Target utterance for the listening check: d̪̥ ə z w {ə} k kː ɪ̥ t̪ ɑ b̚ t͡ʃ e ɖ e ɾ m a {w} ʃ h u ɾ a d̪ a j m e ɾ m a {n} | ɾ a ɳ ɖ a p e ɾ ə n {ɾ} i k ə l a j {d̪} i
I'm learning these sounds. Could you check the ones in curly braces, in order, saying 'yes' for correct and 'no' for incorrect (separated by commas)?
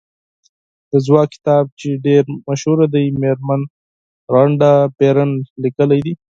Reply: no, no, yes, no, yes